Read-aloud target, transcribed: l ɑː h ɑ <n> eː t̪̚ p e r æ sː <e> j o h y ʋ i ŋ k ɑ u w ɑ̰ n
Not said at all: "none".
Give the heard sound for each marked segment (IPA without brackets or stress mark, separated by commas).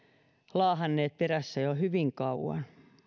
nː, æ